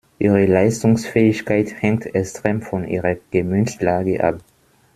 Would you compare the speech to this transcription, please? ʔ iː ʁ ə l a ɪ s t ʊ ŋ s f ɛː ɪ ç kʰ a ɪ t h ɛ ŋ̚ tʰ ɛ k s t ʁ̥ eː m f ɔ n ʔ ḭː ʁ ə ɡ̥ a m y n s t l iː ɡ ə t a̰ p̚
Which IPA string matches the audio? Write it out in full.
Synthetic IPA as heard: ʔ iː ʁ ə l a ɪ s t ʊ ŋ s f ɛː ɪ ç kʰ a ɪ t h ɛ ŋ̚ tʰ ɛ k s t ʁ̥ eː m f ɔ n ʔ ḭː ʁ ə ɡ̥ ə m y n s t l aː ɡ ə ʔ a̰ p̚